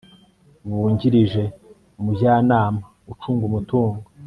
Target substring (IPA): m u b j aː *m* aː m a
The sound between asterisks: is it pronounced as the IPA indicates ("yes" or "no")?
no